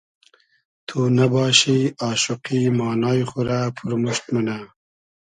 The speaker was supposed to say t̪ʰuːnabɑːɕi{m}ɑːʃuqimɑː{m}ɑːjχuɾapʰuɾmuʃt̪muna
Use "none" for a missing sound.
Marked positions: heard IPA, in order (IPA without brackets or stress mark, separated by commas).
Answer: none, n